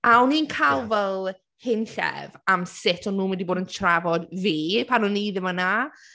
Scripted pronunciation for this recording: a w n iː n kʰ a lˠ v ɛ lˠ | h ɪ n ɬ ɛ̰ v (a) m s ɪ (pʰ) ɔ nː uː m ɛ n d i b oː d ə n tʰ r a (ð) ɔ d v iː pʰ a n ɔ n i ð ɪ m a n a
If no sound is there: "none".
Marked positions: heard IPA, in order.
a, tʰ, v

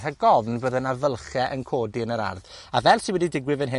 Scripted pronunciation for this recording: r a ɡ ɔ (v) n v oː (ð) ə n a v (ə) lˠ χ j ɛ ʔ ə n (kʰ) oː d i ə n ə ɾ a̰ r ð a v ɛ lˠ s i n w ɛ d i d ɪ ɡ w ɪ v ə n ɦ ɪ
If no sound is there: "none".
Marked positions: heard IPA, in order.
v, ð, ə, kʰ

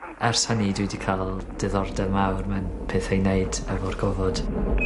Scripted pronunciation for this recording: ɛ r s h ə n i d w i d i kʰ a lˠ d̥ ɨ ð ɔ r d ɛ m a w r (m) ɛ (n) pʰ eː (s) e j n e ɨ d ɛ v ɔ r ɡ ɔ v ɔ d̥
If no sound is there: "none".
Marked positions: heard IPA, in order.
m, n, θ

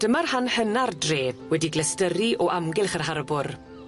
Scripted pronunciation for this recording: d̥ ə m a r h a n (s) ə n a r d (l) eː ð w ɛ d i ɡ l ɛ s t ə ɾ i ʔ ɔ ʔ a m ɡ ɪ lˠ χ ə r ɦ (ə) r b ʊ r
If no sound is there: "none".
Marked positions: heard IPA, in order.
h, r, a

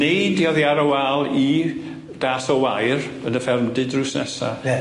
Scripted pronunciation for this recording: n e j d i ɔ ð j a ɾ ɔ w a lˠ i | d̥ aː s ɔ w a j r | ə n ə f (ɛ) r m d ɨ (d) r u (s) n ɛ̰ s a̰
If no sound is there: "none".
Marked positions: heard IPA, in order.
ɛ, d, s

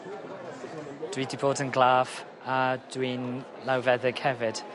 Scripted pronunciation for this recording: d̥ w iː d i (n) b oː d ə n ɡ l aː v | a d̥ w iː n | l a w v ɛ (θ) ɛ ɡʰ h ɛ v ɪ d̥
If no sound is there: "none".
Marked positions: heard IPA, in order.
none, ð

